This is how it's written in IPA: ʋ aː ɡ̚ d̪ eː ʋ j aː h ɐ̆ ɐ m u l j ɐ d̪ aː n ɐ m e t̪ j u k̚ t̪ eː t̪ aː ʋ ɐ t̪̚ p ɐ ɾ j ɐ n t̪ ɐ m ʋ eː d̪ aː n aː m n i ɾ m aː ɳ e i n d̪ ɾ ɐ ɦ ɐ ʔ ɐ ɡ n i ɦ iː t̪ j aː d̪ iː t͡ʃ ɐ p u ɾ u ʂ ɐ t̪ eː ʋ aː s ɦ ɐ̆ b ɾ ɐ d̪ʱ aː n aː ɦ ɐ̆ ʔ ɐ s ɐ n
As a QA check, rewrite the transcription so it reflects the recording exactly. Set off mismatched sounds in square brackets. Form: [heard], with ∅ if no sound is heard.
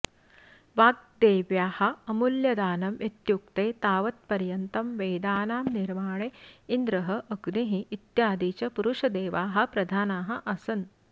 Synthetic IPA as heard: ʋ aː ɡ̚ d̪ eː ʋ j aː h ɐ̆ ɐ m u l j ɐ d̪ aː n ɐ m e t̪ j u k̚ t̪ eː t̪ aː ʋ ɐ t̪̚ p ɐ ɾ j ɐ n t̪ ɐ m ʋ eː d̪ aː n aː m n i ɾ m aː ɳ e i n d̪ ɾ ɐ ɦ ɐ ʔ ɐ ɡ n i ɦ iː t̪ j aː d̪ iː t͡ʃ ɐ p u ɾ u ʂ ɐ [d̪] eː ʋ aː [∅] ɦ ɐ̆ [p] ɾ ɐ d̪ʱ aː n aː ɦ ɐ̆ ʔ ɐ s ɐ n